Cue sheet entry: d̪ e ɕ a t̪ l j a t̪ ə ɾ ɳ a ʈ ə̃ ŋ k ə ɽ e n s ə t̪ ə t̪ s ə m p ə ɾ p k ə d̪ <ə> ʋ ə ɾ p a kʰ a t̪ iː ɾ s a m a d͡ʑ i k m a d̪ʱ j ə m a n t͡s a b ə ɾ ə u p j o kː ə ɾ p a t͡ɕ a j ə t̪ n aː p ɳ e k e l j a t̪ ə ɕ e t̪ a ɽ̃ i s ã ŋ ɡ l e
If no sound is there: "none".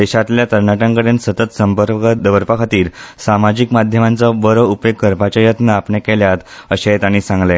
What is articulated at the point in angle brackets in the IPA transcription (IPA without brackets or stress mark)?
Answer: ə